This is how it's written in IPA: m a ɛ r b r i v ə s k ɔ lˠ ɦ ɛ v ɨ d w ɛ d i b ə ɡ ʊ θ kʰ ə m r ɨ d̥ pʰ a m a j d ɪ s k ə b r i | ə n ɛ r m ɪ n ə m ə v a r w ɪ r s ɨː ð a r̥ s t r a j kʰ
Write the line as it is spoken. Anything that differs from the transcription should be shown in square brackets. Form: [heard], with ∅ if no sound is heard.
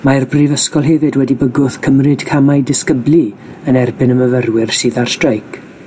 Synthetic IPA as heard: m a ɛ r b r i v ə s k ɔ lˠ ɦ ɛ v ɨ d w ɛ d i b ə ɡ ʊ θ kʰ ə m r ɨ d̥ [kʰ] a m a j d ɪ s k ə b [l] i | ə n ɛ r [b] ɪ n ə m ə v [ə] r w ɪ r s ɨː ð a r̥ s t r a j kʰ

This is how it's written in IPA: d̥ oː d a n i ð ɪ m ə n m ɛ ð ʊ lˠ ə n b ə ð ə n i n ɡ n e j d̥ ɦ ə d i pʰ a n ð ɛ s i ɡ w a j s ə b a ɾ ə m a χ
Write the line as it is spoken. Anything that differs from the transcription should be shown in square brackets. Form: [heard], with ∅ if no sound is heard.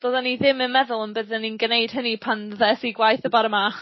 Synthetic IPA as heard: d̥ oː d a n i ð ɪ m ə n m ɛ ð ʊ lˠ ə n b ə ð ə n i n ɡ n e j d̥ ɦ ə [n] i pʰ a n ð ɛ s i ɡ w a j [θ] ə b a ɾ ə m a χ

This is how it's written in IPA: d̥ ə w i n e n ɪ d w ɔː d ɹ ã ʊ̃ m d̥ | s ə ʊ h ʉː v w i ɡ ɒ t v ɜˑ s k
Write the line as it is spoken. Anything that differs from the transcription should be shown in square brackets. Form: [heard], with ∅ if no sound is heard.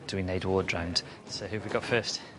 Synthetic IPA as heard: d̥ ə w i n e [∅] ɪ d w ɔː d ɹ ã ʊ̃ [n] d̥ | s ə ʊ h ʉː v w i ɡ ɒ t [f] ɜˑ s [t]

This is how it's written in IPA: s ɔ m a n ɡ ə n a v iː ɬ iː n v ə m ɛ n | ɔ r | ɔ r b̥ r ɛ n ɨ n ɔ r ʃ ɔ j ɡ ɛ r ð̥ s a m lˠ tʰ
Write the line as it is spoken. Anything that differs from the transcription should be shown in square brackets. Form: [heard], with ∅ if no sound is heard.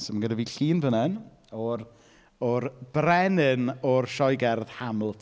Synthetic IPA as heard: s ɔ m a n ɡ ə [d] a v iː ɬ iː n v ə [n] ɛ n | ɔ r | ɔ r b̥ r ɛ n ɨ n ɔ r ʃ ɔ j ɡ ɛ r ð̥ [h] a m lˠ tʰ

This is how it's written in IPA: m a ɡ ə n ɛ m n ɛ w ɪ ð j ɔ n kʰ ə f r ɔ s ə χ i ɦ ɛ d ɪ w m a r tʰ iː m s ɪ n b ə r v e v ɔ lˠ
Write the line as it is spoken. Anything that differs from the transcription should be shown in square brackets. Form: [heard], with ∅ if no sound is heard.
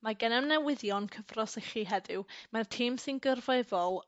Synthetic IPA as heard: m a ɡ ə n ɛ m n ɛ w ɪ ð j ɔ n kʰ ə [v] r ɔ s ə χ i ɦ ɛ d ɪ w m a r tʰ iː m s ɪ n [ɡ] ə r v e v ɔ lˠ

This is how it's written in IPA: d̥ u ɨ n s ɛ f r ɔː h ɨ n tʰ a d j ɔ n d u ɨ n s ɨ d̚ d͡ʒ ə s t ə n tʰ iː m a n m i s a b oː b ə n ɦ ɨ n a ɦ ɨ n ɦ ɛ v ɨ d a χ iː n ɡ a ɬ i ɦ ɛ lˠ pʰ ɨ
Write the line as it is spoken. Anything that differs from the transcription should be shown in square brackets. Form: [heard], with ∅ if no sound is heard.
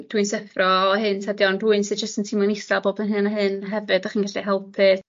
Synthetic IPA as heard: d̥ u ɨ n s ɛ f r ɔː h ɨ n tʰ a d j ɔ n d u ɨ n s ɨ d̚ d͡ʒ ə s t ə n tʰ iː m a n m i s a b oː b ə n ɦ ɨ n a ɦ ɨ n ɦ ɛ v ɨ d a χ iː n ɡ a ɬ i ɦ ɛ lˠ pʰ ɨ

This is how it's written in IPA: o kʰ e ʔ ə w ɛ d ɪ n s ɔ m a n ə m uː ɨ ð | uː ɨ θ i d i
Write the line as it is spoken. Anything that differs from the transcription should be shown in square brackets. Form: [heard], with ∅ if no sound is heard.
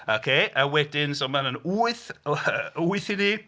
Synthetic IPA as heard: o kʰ e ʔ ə w ɛ d ɪ n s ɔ m a n ə [n] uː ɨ [θ] | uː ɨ θ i [n] i

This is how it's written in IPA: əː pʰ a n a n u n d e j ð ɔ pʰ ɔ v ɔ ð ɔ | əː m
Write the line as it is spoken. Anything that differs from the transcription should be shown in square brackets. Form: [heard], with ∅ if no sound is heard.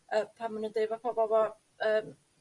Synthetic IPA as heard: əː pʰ a [m] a n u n d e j [v] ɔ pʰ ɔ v ɔ [v] ɔ | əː m

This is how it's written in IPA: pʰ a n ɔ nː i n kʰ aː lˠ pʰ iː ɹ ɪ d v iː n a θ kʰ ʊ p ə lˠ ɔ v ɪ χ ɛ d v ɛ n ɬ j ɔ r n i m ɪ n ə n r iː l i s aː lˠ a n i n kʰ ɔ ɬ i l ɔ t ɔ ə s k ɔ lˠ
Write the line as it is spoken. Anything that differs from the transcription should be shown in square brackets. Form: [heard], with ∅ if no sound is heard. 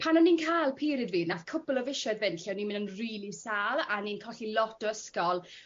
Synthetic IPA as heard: pʰ a n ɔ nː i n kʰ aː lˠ pʰ iː [ɾ] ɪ d v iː n a θ kʰ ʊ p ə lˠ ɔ v ɪ [ʃ] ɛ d v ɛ n ɬ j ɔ [∅] n i m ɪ n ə n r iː l i s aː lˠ a n i n kʰ ɔ ɬ i l ɔ t ɔ ə s k ɔ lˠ

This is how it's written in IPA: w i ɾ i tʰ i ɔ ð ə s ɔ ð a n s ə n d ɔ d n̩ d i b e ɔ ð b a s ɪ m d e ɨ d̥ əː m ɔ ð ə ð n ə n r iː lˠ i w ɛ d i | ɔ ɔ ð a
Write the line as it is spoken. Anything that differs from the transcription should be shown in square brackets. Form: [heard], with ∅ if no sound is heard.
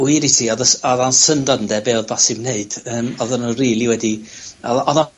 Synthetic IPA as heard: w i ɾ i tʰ i ɔ ð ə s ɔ ð a n s ə n d ɔ d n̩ d [ɛ] b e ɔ ð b a s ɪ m [n] e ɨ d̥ əː m ɔ ð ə [∅] n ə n r iː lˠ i w ɛ d i | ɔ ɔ ð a

